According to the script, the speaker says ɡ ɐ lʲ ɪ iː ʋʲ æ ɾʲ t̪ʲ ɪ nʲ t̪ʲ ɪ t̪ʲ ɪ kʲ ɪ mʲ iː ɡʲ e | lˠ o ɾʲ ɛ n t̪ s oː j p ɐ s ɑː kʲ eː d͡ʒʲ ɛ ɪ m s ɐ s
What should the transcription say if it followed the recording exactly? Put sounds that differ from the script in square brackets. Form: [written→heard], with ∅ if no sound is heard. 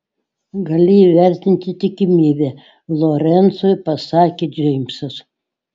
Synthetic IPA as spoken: ɡ ɐ lʲ ɪ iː ʋʲ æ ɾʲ t̪ʲ ɪ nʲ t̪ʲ ɪ t̪ʲ ɪ kʲ ɪ mʲ iː [ɡʲ→bʲ] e | lˠ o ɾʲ ɛ n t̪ s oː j p ɐ s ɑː kʲ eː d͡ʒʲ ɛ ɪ m s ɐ s